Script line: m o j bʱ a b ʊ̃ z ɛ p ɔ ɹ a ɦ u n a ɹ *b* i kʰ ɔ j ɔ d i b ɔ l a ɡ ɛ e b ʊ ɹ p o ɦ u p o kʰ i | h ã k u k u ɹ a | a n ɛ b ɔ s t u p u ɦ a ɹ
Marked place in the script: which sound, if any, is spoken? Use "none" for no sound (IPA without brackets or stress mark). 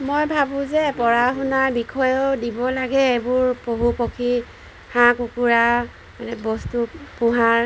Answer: b